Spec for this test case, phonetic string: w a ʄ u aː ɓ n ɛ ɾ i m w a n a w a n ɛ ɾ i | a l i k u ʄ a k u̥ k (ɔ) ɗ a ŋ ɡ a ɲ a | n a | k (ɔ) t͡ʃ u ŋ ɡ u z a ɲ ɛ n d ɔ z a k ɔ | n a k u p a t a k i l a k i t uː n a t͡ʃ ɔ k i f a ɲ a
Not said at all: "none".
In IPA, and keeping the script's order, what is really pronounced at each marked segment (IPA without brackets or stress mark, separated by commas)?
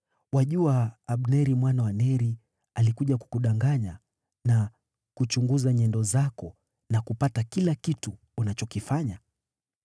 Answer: u, u